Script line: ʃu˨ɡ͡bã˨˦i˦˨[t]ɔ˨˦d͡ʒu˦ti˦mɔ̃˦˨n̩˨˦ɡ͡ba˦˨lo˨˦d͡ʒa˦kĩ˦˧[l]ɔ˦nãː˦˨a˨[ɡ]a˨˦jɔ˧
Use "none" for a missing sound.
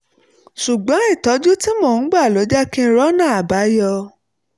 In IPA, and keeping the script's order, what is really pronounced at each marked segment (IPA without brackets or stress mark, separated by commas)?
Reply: t, ɾ, b